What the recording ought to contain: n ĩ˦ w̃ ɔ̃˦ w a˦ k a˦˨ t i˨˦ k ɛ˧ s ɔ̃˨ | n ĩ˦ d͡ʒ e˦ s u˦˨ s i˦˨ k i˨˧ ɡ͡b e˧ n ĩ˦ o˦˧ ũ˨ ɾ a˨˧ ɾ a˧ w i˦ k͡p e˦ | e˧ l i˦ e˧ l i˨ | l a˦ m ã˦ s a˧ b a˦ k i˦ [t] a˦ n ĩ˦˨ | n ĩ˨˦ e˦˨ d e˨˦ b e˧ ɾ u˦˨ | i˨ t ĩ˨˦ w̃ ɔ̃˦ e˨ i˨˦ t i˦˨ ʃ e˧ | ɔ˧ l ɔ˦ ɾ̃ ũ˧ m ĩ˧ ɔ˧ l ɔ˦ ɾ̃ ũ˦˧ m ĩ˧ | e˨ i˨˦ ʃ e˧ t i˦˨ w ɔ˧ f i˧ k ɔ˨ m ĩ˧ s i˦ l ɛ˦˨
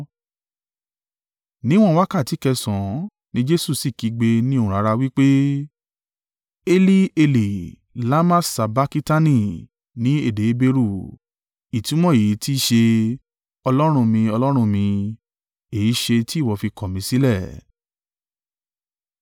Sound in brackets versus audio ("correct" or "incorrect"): correct